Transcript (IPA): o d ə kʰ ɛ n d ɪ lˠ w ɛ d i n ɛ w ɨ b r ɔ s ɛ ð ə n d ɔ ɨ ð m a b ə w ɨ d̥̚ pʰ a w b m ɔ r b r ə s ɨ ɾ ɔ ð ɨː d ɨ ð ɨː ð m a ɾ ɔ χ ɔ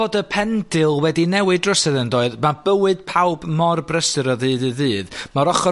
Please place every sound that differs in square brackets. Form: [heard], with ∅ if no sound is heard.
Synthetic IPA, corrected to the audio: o d ə [pʰ] ɛ n d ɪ lˠ w ɛ d i n ɛ w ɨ [d] r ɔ s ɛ ð ə n d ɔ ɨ ð m a b ə w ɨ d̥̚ pʰ a w b m ɔ r b r ə s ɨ ɾ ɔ ð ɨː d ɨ ð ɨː ð m a ɾ ɔ χ ɔ